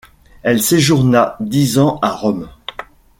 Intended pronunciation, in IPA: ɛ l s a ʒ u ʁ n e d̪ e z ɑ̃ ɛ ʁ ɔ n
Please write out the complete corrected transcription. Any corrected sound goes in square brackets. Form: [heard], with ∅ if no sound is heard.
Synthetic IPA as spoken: ɛ l s [e] ʒ u ʁ n [a] d̪ [i] z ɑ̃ [a] ʁ ɔ [m]